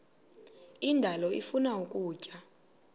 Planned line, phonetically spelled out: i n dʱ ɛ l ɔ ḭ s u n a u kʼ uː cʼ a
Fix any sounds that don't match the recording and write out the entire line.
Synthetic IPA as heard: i n dʱ a l ɔ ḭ f u n a u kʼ uː cʼ a

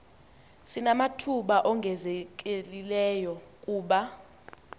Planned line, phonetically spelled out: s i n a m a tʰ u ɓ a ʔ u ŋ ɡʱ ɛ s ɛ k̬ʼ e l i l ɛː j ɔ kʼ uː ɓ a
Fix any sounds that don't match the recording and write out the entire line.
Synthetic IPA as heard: s i n a m a tʰ u ɓ a ʔ ɔ ŋ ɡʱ ɛ z ɛ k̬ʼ e l i l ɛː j ɔ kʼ uː ɓ a

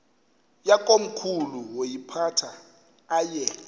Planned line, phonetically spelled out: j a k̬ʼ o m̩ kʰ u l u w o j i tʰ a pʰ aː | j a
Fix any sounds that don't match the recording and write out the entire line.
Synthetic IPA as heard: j a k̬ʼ o m̩ kʰ u l u w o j i pʰ a tʰ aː | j ɛ

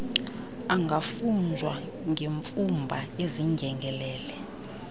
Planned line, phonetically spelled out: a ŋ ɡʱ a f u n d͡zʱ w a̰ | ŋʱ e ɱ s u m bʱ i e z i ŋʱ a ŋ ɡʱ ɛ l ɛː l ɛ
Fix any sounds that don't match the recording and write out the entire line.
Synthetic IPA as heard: a ŋ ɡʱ a f u n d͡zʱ w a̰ | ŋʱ e ɱ f u m bʱ a e z i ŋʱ ɛ ŋ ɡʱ ɛ l ɛː l ɛ

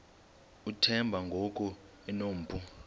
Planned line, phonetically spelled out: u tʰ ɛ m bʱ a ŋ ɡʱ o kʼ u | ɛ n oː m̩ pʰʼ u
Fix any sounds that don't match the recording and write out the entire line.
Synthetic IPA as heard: u tʰ ɛ m bʱ a ŋ ɡʱ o kʼ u | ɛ n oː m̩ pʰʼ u

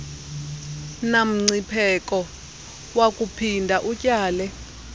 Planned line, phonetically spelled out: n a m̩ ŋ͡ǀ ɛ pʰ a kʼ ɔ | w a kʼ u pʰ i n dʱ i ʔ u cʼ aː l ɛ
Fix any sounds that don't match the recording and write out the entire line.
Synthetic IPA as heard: n a m̩ ŋ͡ǀ i pʰ ɛ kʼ ɔ | w a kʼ u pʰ i n dʱ a ʔ u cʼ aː l ɛ

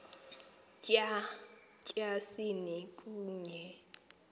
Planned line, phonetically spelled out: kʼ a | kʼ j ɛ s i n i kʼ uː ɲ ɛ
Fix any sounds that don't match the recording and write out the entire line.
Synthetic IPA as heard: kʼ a | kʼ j a s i n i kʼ uː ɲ ɛ

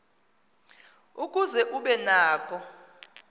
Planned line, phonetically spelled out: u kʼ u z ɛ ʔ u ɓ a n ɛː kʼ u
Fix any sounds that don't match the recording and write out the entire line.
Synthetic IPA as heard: u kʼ u z ɛ ʔ u ɓ ɛ n aː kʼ ɔ

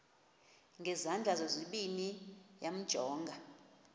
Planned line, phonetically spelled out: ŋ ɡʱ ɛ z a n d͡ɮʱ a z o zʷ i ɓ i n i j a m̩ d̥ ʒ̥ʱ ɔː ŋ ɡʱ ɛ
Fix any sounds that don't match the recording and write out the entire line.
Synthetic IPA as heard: ŋ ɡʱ ɛ z a n d͡ɮʱ a z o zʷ i ɓ i n i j a m̩ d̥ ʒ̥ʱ ɔː ŋ ɡʱ a

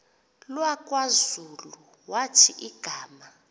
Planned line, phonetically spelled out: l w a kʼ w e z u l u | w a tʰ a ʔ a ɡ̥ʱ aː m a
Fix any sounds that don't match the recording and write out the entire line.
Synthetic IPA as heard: l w a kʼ w a z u l u | w a tʰ i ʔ i ɡ̥ʱ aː m a

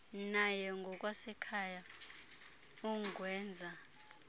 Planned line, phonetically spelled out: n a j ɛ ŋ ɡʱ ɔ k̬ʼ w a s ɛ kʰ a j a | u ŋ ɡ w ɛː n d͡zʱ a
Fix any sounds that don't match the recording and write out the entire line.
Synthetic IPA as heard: n a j ɛ ŋ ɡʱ ɔ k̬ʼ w a s ɛ kʰ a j a | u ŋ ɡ w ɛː n d͡zʱ a

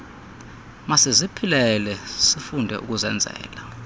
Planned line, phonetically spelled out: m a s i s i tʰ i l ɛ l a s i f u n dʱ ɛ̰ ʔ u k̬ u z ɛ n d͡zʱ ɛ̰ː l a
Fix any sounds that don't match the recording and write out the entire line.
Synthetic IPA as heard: m a s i z i pʰ i l ɛ l ɛ s i f u n dʱ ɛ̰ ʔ u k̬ u z ɛ n d͡zʱ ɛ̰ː l a

